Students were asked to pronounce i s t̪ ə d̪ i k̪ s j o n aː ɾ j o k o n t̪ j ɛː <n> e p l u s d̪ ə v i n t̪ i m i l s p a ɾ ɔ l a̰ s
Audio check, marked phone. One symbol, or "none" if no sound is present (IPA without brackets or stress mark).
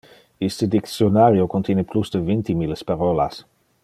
n